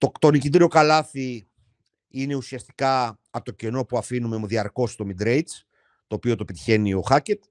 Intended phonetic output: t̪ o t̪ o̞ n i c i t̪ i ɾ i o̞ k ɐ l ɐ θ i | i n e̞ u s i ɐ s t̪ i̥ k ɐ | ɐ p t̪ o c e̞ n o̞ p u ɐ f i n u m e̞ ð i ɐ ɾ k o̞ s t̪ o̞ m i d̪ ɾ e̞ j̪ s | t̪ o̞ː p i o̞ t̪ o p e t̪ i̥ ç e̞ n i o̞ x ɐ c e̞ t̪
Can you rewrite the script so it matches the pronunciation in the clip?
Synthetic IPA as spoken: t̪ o t̪ o̞ n i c i t̪ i ɾ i o̞ k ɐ l ɐ θ i | i n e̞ u s i ɐ s t̪ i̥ k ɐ | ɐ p t̪ o c e̞ n o̞ p u ɐ f i n u m e̞ ð i ɐ ɾ k o̞ s t̪ o̞ m i d̪ ɾ e̞ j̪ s | t̪ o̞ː p i o̞ t̪ o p e t̪ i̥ ç e̞ n i o̞ x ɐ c e̞ t̪